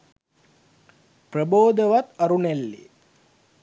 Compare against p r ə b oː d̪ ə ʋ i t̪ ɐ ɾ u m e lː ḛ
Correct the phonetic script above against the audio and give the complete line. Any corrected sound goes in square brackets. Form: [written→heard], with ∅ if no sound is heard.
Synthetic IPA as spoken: p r ə b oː d̪ ə ʋ [i→a] t̪ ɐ ɾ u [m→n] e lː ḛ